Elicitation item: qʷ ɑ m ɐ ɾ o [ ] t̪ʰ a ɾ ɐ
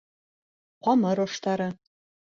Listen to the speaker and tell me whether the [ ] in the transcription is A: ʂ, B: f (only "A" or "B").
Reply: A